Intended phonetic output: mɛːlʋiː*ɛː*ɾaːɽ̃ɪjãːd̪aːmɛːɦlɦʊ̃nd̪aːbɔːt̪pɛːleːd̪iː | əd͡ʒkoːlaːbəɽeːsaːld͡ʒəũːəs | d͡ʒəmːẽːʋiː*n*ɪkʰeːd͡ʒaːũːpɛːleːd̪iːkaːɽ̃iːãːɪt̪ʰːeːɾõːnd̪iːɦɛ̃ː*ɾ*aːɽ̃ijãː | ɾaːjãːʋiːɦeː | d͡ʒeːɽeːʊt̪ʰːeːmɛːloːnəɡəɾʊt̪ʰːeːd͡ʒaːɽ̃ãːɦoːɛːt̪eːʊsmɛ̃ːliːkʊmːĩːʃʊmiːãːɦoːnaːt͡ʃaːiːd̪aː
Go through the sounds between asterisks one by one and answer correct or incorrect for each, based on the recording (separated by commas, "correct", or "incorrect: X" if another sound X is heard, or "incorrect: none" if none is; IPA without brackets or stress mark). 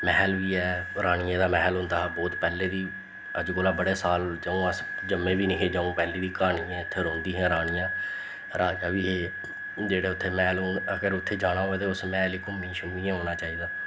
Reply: correct, correct, correct